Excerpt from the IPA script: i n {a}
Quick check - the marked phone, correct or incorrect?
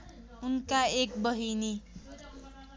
incorrect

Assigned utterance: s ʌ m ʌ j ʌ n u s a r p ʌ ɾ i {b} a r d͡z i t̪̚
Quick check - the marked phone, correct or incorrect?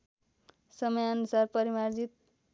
incorrect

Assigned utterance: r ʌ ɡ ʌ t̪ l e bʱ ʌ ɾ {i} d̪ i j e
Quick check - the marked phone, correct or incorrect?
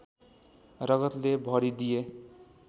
correct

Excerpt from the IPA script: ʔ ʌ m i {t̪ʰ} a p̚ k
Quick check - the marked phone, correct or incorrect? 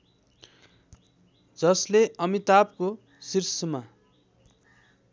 incorrect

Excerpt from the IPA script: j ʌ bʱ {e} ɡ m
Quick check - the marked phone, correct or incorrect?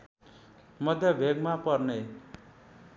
correct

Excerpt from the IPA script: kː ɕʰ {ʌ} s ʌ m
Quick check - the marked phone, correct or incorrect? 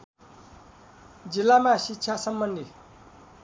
incorrect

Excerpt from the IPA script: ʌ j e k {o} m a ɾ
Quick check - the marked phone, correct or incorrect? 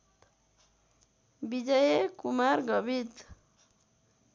incorrect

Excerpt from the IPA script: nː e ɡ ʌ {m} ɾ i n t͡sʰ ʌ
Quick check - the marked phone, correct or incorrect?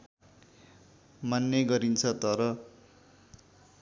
incorrect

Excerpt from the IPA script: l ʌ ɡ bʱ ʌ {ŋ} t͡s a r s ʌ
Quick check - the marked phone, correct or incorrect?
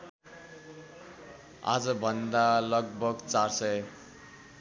incorrect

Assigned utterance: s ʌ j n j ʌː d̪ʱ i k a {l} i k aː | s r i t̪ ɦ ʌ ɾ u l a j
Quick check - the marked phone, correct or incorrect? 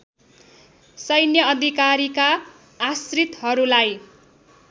incorrect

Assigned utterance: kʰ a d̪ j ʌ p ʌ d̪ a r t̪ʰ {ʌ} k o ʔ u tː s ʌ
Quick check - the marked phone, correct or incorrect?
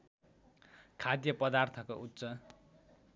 correct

